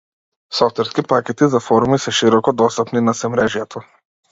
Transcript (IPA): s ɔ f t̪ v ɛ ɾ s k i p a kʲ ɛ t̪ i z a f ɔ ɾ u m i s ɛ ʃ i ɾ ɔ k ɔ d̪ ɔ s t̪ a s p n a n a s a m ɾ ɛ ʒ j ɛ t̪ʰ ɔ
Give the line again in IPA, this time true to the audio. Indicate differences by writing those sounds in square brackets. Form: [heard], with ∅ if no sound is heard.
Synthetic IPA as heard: s ɔ f t̪ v ɛ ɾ s k i p a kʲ ɛ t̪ i z a f ɔ ɾ u m i s ɛ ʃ i ɾ ɔ k ɔ d̪ ɔ s t̪ a [∅] p n [i] n a s [ɛ] m ɾ ɛ ʒ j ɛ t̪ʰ ɔ